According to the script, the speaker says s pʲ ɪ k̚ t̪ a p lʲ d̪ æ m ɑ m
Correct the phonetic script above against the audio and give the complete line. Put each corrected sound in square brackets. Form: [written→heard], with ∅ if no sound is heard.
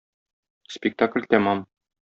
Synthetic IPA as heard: s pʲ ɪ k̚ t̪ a [p→k] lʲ [d̪→t̪] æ m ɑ m

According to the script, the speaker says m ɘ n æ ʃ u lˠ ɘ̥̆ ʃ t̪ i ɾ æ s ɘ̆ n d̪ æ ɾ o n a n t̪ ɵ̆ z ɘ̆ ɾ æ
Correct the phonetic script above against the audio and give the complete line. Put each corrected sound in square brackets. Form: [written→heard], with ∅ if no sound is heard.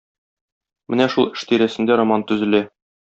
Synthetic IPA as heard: m ɘ n æ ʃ u lˠ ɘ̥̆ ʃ t̪ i ɾ æ s ɘ̆ n d̪ æ ɾ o [n→m] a n t̪ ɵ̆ z ɘ̆ [ɾ→l] æ

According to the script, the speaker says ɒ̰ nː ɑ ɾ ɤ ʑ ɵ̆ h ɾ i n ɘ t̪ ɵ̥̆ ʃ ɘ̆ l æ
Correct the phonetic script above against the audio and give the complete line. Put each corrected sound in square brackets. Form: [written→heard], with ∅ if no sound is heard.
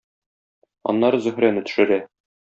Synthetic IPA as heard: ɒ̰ nː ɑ ɾ ɤ [ʑ→z] ɵ̆ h ɾ [i→æ] n ɘ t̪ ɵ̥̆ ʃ ɘ̆ [l→ɾ] æ

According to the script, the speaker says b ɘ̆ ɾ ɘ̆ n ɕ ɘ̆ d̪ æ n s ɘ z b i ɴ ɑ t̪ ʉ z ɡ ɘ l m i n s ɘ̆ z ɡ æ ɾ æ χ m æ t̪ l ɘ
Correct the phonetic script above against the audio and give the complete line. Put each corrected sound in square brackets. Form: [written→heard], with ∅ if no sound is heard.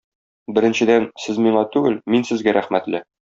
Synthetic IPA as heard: b ɘ̆ ɾ ɘ̆ n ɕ ɘ̆ d̪ æ n s ɘ z [b→m] i ɴ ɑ t̪ ʉ [z→∅] ɡ ɘ l m i n s ɘ̆ z ɡ æ ɾ æ χ m æ t̪ l ɘ

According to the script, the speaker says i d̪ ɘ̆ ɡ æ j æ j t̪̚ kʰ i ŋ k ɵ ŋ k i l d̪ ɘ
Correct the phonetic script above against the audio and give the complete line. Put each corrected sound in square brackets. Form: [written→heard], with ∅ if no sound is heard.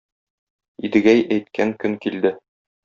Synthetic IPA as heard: i d̪ ɘ̆ ɡ æ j æ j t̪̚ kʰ [i→æ] ŋ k ɵ ŋ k i l d̪ ɘ

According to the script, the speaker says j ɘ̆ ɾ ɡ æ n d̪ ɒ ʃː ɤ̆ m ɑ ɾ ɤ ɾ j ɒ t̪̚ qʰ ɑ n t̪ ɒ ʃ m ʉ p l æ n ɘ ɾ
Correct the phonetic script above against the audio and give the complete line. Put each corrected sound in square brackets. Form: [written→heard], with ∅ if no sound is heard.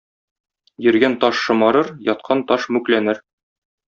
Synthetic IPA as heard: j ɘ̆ ɾ ɡ æ n [d̪→t̪] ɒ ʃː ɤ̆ m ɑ ɾ ɤ ɾ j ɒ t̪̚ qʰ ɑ n t̪ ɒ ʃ m ʉ [p→k] l æ n ɘ ɾ

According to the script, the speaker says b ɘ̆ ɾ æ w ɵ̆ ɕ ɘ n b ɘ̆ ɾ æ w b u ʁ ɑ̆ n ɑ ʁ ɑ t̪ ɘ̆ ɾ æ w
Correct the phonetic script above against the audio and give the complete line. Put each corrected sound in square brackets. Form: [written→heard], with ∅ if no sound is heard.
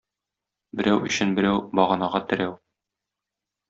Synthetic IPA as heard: b ɘ̆ ɾ æ w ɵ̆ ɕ ɘ n b ɘ̆ ɾ æ w b [u→ɒ] ʁ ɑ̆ n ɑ ʁ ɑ t̪ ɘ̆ ɾ æ w

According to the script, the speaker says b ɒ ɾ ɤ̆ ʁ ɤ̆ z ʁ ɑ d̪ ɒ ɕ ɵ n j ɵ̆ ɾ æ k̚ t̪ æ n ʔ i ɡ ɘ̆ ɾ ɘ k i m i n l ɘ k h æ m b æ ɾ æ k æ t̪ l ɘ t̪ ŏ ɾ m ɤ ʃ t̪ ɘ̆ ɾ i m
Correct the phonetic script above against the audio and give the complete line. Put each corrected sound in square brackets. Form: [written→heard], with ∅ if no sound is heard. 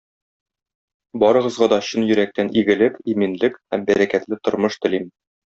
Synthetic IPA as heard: b ɒ ɾ ɤ̆ ʁ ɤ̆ z ʁ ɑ d̪ ɒ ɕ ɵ n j ɵ̆ ɾ æ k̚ t̪ æ n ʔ i ɡ ɘ̆ [ɾ→l] ɘ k i m i n l ɘ k h æ m b æ ɾ æ k æ t̪ l ɘ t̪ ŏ ɾ m ɤ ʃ t̪ ɘ̆ [ɾ→l] i m

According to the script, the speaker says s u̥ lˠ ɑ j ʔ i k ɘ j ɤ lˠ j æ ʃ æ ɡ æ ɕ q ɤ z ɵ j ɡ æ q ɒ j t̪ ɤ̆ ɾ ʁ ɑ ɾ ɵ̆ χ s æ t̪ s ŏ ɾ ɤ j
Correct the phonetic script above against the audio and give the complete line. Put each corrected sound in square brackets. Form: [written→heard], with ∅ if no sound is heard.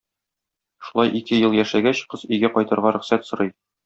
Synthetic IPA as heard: [s→ʃ] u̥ lˠ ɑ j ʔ i k ɘ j ɤ lˠ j æ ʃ æ ɡ æ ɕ q ɤ z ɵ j ɡ æ q ɒ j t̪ ɤ̆ ɾ ʁ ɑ ɾ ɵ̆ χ s æ t̪ s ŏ ɾ ɤ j

